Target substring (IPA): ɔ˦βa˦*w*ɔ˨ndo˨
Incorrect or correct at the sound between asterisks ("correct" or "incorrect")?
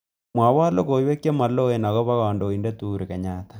incorrect